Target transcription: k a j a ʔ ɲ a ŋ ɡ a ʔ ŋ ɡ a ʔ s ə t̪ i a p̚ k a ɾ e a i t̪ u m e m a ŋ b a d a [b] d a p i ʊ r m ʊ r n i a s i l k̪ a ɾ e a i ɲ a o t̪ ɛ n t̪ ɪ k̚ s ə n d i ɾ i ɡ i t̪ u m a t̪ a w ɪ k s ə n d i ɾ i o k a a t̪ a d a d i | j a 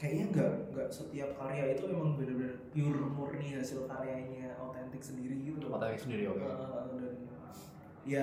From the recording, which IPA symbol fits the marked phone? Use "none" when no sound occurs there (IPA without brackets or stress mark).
b